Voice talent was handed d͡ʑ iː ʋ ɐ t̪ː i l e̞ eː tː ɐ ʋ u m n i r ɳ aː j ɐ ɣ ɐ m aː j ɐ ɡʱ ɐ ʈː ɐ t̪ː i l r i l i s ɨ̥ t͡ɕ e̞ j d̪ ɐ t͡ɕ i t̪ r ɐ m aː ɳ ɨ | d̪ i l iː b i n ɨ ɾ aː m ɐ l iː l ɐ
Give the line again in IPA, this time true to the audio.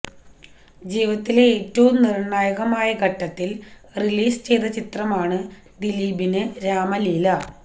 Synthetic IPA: d͡ʑ iː ʋ ɐ t̪ː i l e̞ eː tː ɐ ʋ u m n i r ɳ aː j ɐ ɣ ɐ m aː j ɐ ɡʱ ɐ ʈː ɐ t̪ː i l r i l iː s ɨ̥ t͡ɕ e̞ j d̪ ɐ t͡ɕ i t̪ r ɐ m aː ɳ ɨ | d̪ i l iː b i n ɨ ɾ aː m ɐ l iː l ɐ